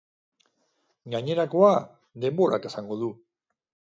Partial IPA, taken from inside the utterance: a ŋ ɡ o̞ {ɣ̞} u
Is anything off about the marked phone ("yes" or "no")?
yes